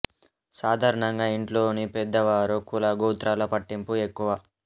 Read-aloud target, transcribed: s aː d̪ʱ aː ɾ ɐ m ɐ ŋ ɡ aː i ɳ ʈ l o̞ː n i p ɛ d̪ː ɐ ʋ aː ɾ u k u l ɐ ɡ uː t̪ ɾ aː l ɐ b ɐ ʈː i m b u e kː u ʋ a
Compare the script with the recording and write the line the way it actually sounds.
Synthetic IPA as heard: s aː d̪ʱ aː ɾ ɐ ɳ ɐ ŋ ɡ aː i ɳ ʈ l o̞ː n i p ɛ d̪ː ɐ ʋ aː ɾ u k u l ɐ ɡ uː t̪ ɾ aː l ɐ p ɐ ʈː i m p u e kː u ʋ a